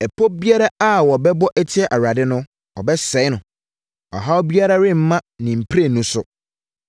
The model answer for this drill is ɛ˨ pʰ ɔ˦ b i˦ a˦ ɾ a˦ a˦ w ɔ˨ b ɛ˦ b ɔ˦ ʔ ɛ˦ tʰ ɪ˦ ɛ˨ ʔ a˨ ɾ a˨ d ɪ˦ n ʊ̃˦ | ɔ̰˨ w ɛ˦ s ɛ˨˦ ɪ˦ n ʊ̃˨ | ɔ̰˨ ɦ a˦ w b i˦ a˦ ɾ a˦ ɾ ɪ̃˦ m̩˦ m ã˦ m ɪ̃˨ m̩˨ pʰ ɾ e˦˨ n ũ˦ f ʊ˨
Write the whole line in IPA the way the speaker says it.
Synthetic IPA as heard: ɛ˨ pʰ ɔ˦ b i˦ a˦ ɾ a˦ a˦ w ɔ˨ b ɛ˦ b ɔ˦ ʔ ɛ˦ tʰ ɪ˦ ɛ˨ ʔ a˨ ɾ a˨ d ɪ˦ n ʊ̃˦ | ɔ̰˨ b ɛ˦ s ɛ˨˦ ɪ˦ n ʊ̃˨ | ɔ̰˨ ɦ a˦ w b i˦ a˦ ɾ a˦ ɾ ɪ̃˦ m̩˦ m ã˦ n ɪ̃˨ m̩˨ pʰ ɾ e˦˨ n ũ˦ s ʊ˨